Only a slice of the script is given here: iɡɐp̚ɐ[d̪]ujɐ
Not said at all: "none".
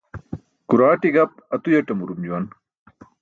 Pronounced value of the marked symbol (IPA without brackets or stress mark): t̪